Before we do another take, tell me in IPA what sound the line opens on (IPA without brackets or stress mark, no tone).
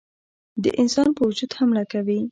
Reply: d̪